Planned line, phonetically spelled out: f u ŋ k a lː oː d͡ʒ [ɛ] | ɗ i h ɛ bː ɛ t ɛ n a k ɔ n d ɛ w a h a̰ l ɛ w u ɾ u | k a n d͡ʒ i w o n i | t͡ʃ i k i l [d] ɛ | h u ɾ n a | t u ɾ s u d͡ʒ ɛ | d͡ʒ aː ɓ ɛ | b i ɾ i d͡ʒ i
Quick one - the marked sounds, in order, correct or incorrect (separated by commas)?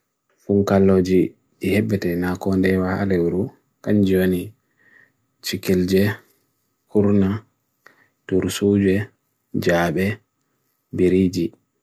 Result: incorrect, incorrect